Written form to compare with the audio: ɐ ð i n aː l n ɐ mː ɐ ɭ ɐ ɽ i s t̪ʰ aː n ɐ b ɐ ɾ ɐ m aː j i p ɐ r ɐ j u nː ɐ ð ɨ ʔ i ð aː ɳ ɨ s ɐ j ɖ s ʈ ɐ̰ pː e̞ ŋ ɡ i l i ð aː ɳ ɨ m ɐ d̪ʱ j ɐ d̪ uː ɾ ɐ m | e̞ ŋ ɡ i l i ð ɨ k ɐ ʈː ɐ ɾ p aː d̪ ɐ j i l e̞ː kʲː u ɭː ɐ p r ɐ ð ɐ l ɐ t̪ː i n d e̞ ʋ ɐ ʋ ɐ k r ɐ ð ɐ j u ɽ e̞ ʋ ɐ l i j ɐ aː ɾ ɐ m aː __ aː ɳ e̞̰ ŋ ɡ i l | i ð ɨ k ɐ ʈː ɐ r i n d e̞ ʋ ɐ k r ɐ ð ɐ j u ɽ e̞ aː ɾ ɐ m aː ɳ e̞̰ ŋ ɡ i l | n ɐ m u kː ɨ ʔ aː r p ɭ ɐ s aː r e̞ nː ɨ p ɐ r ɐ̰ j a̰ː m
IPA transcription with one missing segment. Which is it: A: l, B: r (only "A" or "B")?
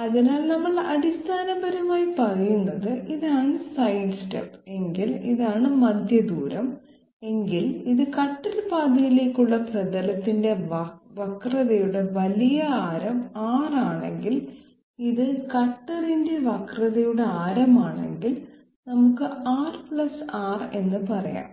B